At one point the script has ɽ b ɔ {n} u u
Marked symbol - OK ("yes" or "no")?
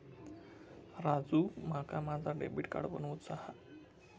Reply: yes